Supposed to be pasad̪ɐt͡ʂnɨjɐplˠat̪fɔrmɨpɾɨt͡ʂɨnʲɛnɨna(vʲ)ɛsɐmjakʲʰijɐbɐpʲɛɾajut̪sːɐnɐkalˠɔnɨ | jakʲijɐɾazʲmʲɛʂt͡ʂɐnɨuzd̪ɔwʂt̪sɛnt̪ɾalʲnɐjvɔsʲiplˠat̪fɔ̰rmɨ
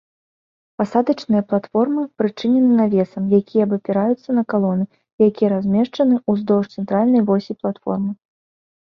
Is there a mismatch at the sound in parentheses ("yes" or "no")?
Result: no